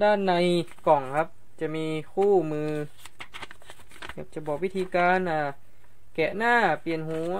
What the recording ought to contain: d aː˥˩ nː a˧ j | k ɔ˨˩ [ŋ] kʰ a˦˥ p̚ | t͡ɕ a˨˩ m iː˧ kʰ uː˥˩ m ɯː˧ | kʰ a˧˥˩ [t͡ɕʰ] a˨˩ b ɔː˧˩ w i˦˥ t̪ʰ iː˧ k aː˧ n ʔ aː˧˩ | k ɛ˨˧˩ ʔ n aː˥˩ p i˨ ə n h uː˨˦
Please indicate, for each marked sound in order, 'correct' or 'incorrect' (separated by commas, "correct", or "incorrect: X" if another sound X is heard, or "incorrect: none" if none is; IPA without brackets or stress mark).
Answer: correct, incorrect: t͡ɕ